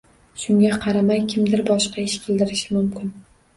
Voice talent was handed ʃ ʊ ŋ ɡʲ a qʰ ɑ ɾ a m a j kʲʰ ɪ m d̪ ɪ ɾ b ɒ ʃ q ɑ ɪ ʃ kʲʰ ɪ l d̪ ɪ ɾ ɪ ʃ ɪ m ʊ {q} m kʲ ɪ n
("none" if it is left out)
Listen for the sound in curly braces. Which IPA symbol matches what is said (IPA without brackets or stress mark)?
none